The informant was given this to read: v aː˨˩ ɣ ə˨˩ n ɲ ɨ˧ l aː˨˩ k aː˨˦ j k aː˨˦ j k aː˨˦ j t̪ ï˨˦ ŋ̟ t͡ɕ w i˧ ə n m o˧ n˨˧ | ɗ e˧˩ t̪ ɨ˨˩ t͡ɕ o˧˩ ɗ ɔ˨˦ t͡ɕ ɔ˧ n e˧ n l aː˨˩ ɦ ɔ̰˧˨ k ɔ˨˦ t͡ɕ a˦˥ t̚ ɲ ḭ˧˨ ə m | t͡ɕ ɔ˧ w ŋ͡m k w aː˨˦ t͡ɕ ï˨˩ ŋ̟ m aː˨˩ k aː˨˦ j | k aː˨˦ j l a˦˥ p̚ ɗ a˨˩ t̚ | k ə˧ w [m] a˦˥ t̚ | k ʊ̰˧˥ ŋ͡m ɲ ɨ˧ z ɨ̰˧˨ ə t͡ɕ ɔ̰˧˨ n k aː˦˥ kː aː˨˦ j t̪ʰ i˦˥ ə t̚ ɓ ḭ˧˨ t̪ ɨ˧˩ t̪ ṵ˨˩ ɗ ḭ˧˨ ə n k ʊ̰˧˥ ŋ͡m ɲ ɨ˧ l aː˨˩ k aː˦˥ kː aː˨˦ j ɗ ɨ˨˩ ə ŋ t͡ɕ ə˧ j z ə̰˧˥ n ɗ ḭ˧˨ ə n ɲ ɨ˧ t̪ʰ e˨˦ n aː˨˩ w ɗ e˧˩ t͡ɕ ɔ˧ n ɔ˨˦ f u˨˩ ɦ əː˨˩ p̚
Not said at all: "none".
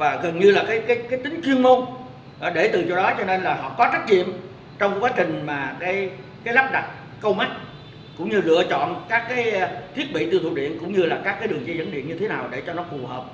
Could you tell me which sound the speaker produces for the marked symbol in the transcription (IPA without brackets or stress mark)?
m